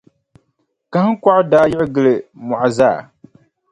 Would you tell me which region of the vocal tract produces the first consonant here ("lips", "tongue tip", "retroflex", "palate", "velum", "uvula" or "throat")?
velum